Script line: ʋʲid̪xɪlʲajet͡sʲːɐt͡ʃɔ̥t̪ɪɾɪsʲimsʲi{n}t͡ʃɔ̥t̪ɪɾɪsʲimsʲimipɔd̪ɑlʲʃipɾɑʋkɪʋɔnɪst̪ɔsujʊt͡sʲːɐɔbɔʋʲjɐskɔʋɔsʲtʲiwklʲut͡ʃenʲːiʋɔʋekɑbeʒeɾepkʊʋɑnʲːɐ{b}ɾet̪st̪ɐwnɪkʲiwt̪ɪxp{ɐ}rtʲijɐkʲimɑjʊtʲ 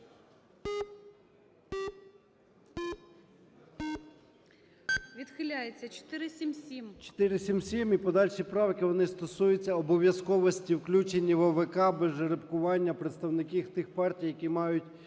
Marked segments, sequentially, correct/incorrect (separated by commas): incorrect, incorrect, incorrect